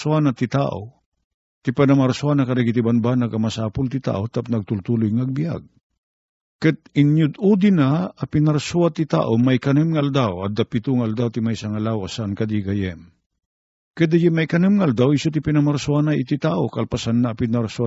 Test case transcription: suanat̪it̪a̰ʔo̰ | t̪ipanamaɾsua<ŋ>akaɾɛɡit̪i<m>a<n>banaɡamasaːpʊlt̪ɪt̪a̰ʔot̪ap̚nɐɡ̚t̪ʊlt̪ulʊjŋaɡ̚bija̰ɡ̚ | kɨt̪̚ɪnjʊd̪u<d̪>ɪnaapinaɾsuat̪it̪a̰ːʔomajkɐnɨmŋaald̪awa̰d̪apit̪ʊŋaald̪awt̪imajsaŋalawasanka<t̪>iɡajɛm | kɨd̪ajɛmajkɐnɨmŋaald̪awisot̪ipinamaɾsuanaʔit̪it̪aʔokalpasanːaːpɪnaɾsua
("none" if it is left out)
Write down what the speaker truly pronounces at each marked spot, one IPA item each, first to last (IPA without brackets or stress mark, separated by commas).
n, b, n, d̪, d̪